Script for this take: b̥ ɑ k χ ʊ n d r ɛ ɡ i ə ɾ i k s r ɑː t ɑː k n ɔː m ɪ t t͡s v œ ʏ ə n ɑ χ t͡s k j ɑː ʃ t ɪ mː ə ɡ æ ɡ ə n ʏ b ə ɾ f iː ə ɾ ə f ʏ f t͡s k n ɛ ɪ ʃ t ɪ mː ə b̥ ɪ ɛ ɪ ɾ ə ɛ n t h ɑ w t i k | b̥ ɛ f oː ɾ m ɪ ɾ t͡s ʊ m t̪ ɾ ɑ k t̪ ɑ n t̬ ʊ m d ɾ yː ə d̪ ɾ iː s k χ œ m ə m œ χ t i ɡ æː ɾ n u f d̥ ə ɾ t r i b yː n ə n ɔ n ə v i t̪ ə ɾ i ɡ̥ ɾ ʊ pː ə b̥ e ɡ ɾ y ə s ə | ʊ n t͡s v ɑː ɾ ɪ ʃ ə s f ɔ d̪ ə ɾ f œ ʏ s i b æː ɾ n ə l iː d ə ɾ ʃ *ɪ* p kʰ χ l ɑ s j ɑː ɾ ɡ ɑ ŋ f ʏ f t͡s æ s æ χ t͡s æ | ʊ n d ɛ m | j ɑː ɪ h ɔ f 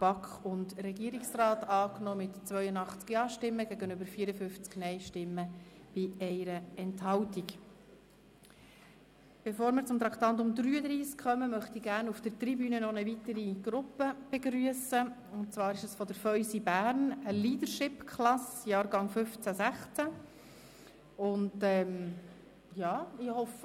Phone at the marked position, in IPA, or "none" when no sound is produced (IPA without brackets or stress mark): ɪ